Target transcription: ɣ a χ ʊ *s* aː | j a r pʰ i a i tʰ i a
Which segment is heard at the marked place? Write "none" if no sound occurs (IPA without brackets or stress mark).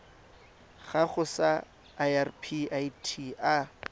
s